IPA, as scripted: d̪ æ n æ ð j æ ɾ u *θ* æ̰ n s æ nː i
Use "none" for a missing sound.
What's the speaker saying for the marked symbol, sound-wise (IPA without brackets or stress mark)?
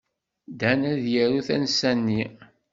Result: θ